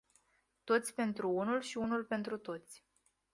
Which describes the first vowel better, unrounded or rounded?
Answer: rounded